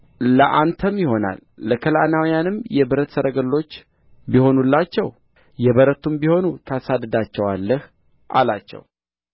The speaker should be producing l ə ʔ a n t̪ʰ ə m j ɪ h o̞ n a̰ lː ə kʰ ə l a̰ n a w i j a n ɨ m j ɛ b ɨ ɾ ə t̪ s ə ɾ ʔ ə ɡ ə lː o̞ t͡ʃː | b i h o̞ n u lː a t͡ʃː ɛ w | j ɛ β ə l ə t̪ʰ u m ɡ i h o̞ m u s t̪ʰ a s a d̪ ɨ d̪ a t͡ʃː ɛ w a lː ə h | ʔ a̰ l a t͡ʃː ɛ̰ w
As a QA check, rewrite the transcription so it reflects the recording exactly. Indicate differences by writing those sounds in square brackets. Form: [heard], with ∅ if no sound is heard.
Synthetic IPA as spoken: l ə ʔ a n t̪ʰ ə m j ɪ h o̞ n a̰ lː ə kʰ ə l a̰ n a w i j a n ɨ m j ɛ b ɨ ɾ ə t̪ s ə ɾ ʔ ə ɡ ə lː o̞ t͡ʃː | b i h o̞ n u lː a t͡ʃː ɛ w | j ɛ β ə [ɾ] ə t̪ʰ u m [b] i h o̞ [n] u [∅] t̪ʰ a s a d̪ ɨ d̪ a t͡ʃː ɛ w a lː ə h | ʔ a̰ l a t͡ʃː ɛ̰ w